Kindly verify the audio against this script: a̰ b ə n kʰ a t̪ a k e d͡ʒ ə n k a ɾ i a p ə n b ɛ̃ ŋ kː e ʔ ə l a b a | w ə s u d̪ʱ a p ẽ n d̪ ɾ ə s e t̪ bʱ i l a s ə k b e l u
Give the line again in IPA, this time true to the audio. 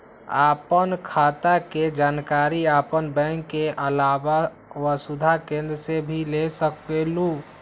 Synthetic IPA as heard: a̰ p ə n kʰ a t̪ a k e d͡ʒ a n k a ɾ i a p ə n b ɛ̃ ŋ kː e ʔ ə l a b a | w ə s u d̪ʱ a k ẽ n d̪ ɾ ə s e bʱ i l e s ə k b e l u